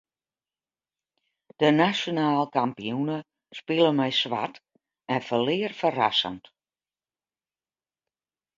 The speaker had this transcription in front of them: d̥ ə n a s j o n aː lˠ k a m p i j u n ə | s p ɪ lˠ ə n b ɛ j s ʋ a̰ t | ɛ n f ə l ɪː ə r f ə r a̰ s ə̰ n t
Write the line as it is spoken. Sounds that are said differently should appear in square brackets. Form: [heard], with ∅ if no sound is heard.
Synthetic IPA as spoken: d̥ ə n a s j o n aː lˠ k a m p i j u n ə | s p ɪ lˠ ə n [m] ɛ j s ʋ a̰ t | ɛ n f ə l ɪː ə r f ə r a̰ s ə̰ n t

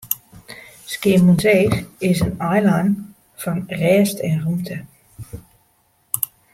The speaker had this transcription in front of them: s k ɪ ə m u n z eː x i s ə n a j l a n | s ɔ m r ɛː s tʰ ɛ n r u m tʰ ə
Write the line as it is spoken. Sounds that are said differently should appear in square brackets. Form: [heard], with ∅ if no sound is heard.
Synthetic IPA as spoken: s k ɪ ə m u n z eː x [ɪ] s ə n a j l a n | [f] ɔ [n] r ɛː s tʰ ɛ n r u m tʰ ə

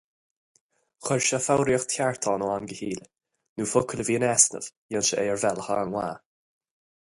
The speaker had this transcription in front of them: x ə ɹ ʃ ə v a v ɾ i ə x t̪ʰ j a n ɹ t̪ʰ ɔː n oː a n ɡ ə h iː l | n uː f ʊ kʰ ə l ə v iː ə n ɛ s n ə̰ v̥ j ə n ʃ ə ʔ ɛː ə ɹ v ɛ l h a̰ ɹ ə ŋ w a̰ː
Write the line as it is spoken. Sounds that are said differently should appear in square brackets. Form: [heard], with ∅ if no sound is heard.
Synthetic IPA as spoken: x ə ɹ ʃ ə [f] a [w] ɾ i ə x t̪ʰ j a [∅] ɹ t̪ʰ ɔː n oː a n ɡ ə h iː l | n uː f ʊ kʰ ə l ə v iː ə n ɛ s n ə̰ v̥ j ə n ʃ ə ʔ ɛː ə ɹ v ɛ l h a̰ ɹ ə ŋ w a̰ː

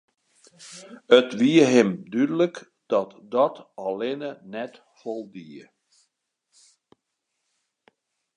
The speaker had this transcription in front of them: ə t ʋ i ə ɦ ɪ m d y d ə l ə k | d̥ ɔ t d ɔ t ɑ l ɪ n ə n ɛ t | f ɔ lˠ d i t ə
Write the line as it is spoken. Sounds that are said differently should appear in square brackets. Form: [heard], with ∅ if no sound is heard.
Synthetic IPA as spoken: ə t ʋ i ə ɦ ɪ m d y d ə l ə k | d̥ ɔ t d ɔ t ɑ l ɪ n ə n ɛ t | f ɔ lˠ d i [∅] ə

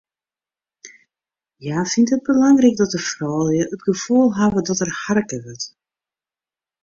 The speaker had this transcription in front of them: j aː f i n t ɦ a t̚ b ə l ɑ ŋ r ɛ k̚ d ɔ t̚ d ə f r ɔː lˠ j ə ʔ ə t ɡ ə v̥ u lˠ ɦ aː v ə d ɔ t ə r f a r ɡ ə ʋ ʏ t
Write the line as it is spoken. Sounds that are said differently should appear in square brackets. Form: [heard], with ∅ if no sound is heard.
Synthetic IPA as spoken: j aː f i n t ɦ [ə] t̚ b ə l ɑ ŋ r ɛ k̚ d ɔ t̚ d ə f r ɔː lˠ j ə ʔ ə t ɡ ə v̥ u lˠ ɦ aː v ə d ɔ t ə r [h] a r [k] ə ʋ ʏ t

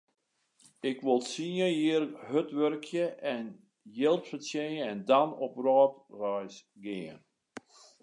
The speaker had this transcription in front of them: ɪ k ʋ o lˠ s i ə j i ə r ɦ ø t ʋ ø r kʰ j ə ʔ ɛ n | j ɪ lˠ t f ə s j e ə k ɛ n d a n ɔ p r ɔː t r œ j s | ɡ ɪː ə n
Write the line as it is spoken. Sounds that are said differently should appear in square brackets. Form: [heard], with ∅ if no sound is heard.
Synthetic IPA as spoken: ɪ k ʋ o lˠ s i ə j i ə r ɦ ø t ʋ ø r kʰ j ə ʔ ɛ n | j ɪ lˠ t f ə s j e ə [∅] ɛ n d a n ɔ p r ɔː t r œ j s | ɡ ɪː ə n

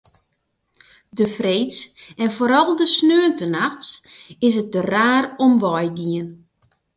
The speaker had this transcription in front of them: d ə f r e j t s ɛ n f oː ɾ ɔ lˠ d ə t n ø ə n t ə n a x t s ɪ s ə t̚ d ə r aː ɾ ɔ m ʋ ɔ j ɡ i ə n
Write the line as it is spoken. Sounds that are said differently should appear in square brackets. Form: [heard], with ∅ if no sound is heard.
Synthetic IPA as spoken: d ə f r e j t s ɛ n f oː ɾ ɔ lˠ d ə [s] n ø ə n t ə n a x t s ɪ s ə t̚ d ə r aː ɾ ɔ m ʋ ɔ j ɡ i ə n

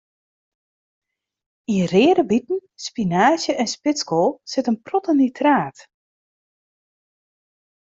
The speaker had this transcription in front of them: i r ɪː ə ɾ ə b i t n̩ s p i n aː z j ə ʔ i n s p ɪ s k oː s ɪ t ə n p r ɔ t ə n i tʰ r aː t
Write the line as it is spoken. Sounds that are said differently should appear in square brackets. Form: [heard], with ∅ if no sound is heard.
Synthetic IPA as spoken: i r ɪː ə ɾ ə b i t n̩ s p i n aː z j ə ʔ [ɛ] n s p ɪ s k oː s ɪ t ə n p r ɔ t ə n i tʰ r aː t

